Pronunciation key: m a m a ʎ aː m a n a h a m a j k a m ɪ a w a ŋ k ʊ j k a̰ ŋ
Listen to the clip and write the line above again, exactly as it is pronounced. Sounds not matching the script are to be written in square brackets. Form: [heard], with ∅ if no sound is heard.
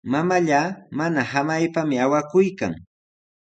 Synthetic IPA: m a m a ʎ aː m a n a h a m a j [p] a m ɪ a w a [∅] k ʊ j k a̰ ŋ

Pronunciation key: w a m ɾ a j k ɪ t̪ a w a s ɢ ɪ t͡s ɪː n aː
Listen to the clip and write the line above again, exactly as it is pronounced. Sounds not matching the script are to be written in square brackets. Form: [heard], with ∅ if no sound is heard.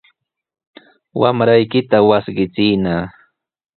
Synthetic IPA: w a m ɾ a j k ɪ t̪ a w a s ɢ ɪ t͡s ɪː n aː

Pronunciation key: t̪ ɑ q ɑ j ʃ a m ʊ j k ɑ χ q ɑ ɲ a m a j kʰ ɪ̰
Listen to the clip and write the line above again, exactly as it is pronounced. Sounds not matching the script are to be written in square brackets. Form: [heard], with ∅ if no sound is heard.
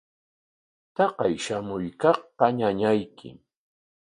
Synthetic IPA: t̪ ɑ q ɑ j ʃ a m ʊ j k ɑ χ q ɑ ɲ a [ɲ] a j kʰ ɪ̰

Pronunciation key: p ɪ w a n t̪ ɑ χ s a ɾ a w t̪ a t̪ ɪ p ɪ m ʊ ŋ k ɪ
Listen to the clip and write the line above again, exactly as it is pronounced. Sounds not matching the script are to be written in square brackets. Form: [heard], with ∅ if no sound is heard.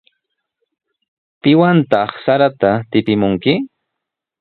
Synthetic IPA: p ɪ w a n t̪ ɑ χ s a ɾ a [∅] t̪ a t̪ ɪ p ɪ m ʊ ŋ k ɪ

